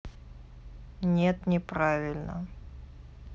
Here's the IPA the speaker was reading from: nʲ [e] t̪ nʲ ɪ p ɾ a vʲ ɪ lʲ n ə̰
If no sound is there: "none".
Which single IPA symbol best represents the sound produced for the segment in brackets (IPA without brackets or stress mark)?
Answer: e